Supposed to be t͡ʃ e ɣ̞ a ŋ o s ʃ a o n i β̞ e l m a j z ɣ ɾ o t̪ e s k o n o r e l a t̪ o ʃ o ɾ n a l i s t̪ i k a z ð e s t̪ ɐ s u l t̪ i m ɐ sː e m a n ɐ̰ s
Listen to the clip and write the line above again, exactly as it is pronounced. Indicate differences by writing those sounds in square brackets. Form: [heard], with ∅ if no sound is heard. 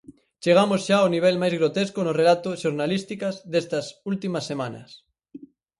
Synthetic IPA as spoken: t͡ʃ e ɣ̞ a [m] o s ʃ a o n i β̞ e l m a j z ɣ ɾ o t̪ e s k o n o r e l a t̪ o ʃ o ɾ n a l i s t̪ i k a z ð e s t̪ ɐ s u l t̪ i m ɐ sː e m a n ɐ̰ s

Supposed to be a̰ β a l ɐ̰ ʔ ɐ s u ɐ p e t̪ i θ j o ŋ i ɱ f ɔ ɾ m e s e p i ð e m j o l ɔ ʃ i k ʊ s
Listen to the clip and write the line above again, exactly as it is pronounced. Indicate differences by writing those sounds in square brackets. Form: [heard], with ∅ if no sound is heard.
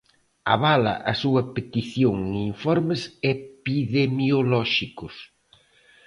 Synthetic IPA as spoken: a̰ β a l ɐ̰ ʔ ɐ s u ɐ p e t̪ i θ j o ŋ i ɱ f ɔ ɾ m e s e p i ð e m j o l ɔ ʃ i k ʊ s

